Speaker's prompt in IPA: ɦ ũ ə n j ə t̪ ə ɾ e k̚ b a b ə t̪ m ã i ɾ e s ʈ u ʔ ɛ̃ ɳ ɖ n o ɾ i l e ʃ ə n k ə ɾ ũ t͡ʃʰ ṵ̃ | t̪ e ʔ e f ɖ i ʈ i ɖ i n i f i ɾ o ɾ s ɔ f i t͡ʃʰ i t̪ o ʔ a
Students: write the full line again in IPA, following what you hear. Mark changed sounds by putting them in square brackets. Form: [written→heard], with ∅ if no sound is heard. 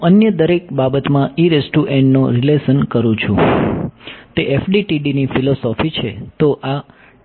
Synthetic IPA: ɦ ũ ə n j ə [t̪→d̪] ə ɾ e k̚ b a b ə t̪ m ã i ɾ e s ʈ u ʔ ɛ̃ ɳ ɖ n o ɾ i l e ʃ ə n k ə ɾ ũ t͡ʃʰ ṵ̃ | t̪ e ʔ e f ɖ i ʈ i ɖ i n i f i [ɾ→l] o [ɾ→∅] s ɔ f i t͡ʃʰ [i→e] t̪ o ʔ a

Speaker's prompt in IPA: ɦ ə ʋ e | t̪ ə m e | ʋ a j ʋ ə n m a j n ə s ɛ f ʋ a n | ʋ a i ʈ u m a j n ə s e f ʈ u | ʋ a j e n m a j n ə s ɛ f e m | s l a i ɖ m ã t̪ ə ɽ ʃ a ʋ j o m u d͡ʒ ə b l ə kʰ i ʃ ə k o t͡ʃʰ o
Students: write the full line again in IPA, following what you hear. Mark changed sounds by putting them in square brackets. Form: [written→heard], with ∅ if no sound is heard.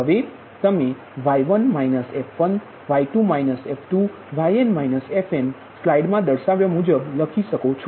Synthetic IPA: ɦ ə ʋ e | t̪ ə m e | ʋ a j ʋ ə n m a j n ə s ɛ f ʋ [a→ə] n | ʋ a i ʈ u m a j n ə s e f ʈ u | ʋ a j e n m a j n ə s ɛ f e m | s l a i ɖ m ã [t̪→d̪] ə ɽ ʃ a ʋ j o m u d͡ʒ ə b l ə kʰ i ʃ ə k o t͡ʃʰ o

